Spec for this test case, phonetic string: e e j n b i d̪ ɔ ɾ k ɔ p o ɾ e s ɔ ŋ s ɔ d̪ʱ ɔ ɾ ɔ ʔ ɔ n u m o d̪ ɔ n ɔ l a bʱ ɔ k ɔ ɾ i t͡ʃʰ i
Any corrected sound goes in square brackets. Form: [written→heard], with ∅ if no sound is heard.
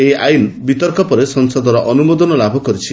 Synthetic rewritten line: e [e→a] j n b i [d̪→t̪] ɔ ɾ k ɔ p [o→ɔ] ɾ e s ɔ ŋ s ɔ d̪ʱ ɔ ɾ ɔ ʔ ɔ n u m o d̪ ɔ n ɔ l a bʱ ɔ k ɔ ɾ i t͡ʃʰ i